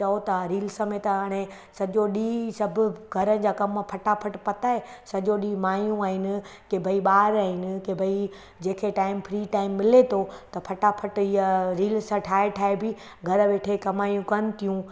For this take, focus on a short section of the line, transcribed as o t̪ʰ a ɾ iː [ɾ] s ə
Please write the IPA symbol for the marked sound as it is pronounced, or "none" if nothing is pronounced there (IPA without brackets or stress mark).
l